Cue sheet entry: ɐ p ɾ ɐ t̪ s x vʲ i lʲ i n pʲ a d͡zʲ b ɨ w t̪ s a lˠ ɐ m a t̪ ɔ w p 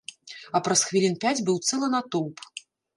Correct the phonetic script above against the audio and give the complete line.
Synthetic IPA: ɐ p ɾ ɐ s x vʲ i lʲ i n pʲ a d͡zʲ b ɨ w t̪ s ɛ lˠ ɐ n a t̪ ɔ w p